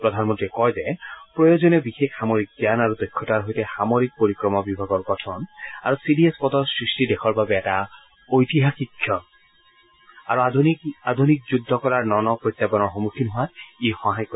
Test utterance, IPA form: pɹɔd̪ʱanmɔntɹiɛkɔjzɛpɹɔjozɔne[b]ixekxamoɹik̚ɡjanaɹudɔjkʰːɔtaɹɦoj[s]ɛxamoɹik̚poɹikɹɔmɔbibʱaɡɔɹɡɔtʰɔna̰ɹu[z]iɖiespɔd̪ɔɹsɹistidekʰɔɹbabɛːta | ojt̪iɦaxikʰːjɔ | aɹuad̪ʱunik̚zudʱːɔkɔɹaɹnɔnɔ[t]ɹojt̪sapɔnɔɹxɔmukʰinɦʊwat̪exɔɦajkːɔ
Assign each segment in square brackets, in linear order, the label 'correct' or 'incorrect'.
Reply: correct, incorrect, incorrect, incorrect

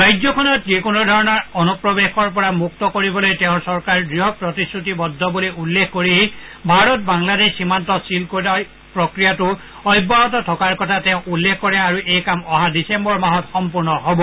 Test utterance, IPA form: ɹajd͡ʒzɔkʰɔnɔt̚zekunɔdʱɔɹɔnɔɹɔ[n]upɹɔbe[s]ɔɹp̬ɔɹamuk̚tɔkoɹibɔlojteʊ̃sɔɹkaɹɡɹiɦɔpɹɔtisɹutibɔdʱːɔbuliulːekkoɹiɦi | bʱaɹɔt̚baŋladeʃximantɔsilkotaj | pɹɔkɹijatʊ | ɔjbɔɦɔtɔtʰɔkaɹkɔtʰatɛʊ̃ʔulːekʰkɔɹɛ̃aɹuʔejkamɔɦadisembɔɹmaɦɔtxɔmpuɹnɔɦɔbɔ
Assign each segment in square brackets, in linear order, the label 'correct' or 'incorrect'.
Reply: correct, incorrect

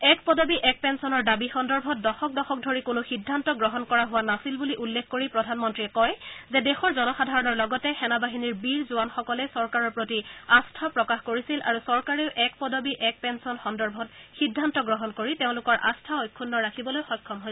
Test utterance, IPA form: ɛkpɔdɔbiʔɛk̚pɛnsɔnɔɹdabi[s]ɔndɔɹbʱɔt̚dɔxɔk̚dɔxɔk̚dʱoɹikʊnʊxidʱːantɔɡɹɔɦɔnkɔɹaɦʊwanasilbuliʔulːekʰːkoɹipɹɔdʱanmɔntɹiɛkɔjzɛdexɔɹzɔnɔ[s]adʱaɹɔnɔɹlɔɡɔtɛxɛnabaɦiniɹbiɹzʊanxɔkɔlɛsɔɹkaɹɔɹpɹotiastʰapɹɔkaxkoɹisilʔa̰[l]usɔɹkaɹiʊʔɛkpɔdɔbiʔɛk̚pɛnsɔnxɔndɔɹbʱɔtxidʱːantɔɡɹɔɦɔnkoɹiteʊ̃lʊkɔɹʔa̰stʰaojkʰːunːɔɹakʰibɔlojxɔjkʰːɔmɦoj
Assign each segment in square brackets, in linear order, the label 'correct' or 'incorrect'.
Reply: incorrect, incorrect, incorrect

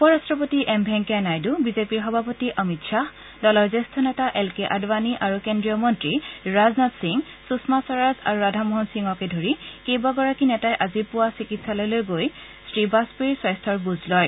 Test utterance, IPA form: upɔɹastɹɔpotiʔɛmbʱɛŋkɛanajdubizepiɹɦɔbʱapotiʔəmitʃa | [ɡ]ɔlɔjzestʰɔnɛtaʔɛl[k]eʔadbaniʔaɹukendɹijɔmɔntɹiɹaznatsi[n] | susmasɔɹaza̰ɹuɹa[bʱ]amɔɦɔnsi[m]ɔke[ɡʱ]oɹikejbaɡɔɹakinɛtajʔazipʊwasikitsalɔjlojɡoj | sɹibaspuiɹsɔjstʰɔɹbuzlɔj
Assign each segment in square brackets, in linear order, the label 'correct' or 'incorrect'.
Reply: incorrect, correct, incorrect, incorrect, incorrect, incorrect

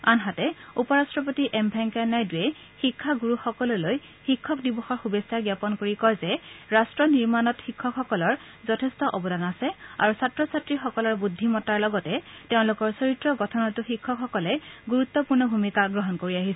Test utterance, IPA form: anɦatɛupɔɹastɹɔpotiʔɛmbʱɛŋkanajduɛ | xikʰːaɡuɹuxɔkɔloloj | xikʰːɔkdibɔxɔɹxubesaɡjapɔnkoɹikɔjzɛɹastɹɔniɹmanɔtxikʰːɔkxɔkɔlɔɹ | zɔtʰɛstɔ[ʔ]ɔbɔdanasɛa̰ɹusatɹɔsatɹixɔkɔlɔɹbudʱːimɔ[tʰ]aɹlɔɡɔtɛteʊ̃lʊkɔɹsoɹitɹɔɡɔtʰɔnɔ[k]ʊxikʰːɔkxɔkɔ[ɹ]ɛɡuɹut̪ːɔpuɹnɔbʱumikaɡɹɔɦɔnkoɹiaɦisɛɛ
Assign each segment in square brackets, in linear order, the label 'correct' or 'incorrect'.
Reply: correct, incorrect, incorrect, incorrect

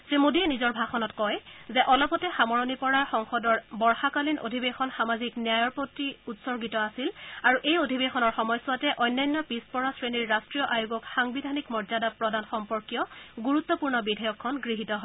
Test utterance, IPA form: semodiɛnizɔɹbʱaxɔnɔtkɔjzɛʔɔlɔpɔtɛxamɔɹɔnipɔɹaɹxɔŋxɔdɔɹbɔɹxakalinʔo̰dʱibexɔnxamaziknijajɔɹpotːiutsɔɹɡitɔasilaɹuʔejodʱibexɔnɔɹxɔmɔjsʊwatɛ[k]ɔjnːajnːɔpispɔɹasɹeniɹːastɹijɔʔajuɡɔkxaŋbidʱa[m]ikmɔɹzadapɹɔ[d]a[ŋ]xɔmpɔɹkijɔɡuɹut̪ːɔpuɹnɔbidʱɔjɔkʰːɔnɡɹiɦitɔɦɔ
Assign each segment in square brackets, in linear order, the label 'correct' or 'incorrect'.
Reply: incorrect, incorrect, correct, incorrect

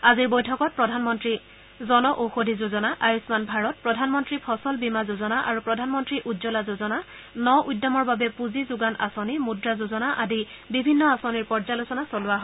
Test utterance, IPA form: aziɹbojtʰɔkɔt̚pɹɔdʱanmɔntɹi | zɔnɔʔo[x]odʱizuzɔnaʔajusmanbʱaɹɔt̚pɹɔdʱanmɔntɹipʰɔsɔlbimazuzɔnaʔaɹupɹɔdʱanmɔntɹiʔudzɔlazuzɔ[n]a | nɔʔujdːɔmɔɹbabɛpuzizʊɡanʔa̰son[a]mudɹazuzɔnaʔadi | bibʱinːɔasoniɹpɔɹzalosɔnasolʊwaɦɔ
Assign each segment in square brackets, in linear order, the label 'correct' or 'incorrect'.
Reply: correct, correct, incorrect

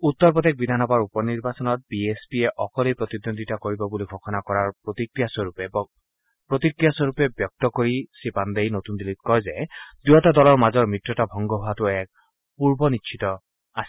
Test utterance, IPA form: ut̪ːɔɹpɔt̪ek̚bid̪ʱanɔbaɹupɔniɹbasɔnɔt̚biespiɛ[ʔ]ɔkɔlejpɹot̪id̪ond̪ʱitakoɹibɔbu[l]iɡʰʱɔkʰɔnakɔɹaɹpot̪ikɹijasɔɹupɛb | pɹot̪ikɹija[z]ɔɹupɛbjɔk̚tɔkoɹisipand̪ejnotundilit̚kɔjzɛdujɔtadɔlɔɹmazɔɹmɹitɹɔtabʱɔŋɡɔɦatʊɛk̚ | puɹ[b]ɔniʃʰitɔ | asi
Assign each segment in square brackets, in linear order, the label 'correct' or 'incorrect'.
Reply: correct, correct, incorrect, correct

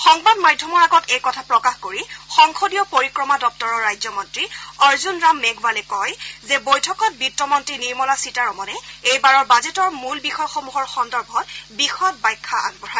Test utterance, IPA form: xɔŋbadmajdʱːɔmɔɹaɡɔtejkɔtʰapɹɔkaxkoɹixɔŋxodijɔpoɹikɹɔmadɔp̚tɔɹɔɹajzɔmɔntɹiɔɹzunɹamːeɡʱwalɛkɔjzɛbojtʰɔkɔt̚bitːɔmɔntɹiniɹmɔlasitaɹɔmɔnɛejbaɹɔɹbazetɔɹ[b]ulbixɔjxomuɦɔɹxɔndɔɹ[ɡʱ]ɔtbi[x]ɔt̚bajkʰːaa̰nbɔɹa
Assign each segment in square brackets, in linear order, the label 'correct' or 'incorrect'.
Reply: incorrect, incorrect, correct

